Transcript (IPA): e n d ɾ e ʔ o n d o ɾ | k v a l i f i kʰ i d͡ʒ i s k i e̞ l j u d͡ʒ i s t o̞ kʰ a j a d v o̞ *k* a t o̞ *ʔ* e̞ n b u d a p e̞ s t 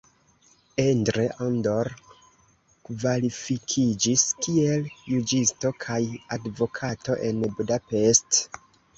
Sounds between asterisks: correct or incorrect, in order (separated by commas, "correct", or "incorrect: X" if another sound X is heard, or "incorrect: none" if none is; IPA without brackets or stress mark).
incorrect: kʰ, correct